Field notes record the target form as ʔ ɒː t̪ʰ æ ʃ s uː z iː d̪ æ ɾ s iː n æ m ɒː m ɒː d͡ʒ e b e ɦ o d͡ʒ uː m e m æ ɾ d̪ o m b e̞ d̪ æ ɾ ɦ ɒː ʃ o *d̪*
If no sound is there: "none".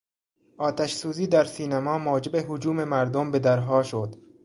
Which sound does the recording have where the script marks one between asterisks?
d̪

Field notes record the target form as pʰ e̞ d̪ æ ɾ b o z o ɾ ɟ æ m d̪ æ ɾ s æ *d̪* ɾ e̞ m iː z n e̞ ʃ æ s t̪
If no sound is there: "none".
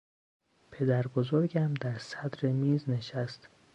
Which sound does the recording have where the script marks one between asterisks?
d̪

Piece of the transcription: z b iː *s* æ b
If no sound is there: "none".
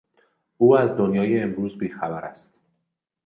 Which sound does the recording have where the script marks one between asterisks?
x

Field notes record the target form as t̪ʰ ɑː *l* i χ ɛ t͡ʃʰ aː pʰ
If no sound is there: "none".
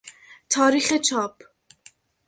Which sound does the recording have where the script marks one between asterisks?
ɾ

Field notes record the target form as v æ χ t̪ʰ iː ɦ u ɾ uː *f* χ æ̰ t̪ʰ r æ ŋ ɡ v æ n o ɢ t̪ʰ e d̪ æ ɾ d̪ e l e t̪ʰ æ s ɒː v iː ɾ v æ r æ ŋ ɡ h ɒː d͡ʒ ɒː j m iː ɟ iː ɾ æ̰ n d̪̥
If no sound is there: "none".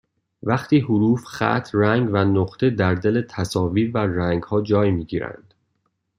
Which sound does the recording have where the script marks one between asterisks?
f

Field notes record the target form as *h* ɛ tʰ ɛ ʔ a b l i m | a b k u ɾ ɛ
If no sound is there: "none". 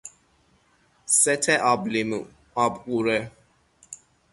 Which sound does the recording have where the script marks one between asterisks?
s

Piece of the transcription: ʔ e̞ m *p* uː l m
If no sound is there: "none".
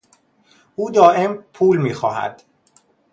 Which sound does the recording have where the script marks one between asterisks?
pʰ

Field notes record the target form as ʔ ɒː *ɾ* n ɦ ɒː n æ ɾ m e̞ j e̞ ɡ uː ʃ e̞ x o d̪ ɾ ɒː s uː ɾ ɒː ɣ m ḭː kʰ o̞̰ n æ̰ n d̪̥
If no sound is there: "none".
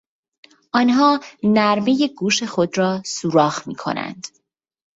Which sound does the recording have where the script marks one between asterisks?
none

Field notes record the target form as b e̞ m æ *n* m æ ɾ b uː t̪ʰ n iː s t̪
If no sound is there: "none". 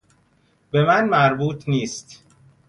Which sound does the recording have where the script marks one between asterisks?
n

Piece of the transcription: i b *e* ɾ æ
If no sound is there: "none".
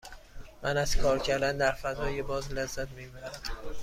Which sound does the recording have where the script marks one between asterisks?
æ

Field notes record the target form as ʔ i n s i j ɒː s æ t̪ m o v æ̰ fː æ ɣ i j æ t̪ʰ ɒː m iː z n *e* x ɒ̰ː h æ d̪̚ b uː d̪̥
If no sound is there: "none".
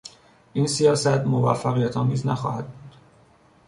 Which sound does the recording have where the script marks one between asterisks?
æ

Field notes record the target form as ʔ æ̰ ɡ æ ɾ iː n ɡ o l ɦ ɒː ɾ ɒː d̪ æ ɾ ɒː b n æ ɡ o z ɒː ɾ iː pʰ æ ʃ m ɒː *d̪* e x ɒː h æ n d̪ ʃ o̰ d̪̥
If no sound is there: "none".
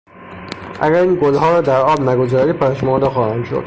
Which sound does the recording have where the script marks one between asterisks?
d̪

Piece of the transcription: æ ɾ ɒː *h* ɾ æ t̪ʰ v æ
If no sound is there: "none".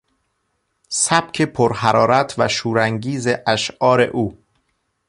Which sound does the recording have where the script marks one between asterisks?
none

